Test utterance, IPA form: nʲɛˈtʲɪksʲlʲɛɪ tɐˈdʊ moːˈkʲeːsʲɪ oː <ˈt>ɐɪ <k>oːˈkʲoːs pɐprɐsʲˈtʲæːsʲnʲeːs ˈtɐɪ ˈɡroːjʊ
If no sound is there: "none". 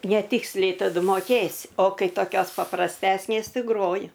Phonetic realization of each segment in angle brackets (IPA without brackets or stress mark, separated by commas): k, t